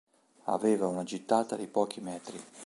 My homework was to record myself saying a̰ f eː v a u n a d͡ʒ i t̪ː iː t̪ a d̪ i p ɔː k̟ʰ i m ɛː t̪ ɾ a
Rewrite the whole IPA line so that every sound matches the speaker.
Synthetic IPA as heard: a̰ v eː v a u n a d͡ʒ i t̪ː aː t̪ a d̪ i p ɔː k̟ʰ i m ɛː t̪ ɾ i

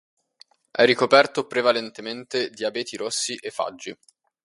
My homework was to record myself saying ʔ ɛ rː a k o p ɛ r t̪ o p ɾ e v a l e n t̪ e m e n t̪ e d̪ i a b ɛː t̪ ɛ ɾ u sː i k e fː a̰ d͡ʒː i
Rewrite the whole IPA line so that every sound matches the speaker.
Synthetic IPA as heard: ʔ ɛ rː i k o p ɛ r t̪ o p ɾ e v a l e n t̪ e m e n t̪ e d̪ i a b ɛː t̪ i ɾ o sː i ʔ e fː a̰ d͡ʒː i

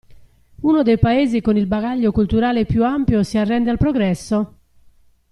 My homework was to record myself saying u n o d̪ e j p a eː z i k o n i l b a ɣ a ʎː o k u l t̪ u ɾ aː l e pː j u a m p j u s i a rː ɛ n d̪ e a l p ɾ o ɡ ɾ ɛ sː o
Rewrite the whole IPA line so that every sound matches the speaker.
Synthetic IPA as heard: u n o d̪ e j p a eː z i k o n i l b a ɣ a ʎː o k u l t̪ u ɾ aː l e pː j u a m p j o s i a rː ɛ n d̪ e a l p ɾ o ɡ ɾ ɛ sː o

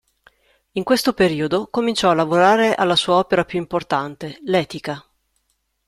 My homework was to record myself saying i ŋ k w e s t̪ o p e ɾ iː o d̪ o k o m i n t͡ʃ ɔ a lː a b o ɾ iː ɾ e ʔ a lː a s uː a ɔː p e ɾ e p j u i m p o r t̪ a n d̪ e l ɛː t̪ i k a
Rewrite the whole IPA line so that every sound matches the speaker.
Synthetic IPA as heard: i ŋ k w e s t̪ o p e ɾ iː o d̪ o k o m i n t͡ʃ ɔ a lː a v o ɾ aː ɾ e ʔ a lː a s uː a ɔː p e ɾ a p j u i m p o r t̪ a n t̪ e l ɛː t̪ i k a

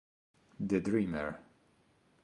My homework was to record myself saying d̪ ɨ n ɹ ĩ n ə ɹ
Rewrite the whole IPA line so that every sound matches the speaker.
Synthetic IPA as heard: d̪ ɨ d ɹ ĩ m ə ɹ

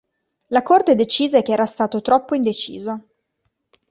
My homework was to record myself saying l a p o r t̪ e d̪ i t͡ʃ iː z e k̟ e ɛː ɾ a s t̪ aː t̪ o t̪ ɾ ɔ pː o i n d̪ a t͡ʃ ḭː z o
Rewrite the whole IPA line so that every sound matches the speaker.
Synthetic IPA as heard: l a k o r t̪ e d̪ e t͡ʃ iː z e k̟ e ɛː ɾ a s t̪ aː t̪ o t̪ ɾ ɔ pː o i n d̪ e t͡ʃ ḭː z o

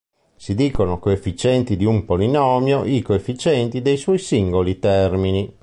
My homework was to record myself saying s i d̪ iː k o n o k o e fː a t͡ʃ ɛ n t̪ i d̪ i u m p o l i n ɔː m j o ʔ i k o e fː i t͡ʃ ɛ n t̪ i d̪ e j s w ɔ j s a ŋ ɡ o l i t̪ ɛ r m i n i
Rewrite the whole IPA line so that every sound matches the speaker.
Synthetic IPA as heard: s i d̪ iː k o n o k o e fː i t͡ʃ ɛ n t̪ i d̪ i u m p o l i n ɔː m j o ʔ i k o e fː i t͡ʃ ɛ n t̪ i d̪ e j s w ɔ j s i ŋ ɡ o l i t̪ ɛ r m i n i

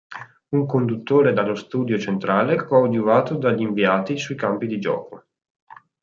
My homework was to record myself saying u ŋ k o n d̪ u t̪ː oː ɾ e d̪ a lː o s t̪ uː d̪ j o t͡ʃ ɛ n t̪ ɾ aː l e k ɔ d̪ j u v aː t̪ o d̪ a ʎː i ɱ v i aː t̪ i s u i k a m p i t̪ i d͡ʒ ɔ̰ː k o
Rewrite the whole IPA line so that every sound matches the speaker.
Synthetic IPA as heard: u ŋ k o n d̪ u t̪ː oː ɾ e d̪ a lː o s t̪ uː d̪ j o t͡ʃ e n t̪ ɾ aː l e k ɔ d̪ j u v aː t̪ o d̪ a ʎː i ɱ v i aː t̪ i s u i k a m p i d̪ i d͡ʒ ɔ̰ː k o

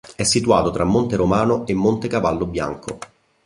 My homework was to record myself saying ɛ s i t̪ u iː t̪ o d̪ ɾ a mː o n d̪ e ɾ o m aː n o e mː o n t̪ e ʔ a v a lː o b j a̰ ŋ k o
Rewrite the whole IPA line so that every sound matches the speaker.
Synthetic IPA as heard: ɛ sː i t̪ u aː t̪ o t̪ ɾ a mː o n t̪ e ɾ o m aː n o e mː o n t̪ e k a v a lː o b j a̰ ŋ k o

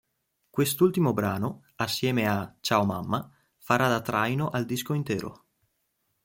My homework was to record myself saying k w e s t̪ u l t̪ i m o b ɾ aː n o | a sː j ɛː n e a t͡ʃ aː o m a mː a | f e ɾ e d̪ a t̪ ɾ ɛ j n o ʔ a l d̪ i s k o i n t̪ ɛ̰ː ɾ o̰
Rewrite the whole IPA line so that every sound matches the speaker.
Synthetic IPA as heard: k w e s t̪ u l t̪ i m o b ɾ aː n o | a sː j ɛː m e a t͡ʃ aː o m a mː a | f a ɾ a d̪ a t̪ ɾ a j n o ʔ a l d̪ i s k o i n t̪ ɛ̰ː ɾ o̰

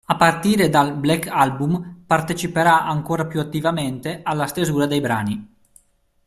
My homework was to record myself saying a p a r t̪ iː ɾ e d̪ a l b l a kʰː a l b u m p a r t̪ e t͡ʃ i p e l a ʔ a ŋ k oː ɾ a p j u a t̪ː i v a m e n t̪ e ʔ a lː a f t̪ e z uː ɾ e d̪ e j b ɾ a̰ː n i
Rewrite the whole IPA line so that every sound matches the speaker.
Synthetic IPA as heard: a p a r t̪ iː ɾ e d̪ a l b l ɛ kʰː a l b u m p a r t̪ e t͡ʃ i p e ɾ a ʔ a ŋ k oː ɾ a p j u a t̪ː i v a m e n t̪ e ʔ a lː a s t̪ e z uː ɾ a d̪ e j b ɾ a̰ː n i

